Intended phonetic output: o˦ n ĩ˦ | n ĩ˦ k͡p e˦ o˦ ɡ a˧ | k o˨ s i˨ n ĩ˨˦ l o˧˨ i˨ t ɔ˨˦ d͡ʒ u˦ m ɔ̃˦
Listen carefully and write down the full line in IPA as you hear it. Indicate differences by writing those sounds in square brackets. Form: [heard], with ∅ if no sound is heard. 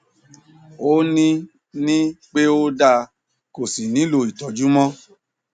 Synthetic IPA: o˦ n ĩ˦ | n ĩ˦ k͡p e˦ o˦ [d] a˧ | k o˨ s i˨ n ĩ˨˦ l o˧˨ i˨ t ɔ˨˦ d͡ʒ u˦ m ɔ̃˦